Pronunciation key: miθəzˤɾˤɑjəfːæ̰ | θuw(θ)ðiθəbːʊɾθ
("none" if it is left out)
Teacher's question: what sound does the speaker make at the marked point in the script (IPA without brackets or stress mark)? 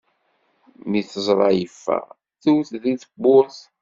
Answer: θ